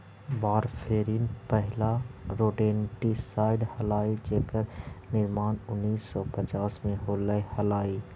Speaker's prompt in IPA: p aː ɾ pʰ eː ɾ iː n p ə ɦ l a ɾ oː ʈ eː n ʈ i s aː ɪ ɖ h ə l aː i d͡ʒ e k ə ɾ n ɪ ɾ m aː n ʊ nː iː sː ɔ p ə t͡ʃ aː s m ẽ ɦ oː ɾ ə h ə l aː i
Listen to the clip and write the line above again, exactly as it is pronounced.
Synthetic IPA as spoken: b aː ɾ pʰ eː ɾ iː n p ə ɦ l a ɾ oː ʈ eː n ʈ i s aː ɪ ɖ h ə l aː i d͡ʒ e k ə ɾ n ɪ ɾ m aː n ʊ nː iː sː ɔ p ə t͡ʃ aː s m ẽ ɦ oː l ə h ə l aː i